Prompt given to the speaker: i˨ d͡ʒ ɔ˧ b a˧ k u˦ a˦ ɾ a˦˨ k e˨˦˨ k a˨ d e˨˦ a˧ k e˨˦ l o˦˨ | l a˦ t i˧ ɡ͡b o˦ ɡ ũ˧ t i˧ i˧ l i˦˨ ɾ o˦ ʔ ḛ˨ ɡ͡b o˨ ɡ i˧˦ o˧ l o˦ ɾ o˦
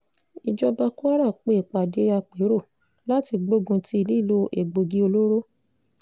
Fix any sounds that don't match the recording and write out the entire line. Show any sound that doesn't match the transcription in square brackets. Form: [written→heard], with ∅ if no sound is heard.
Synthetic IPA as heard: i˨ d͡ʒ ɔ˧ b a˧ k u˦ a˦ ɾ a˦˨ [k→k͡p] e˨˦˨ [k→k͡p] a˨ d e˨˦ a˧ [k→k͡p] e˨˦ [l→ɾ] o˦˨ | l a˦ t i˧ ɡ͡b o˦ ɡ ũ˧ t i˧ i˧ l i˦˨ [ɾ→l] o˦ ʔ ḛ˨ ɡ͡b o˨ ɡ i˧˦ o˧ l o˦ ɾ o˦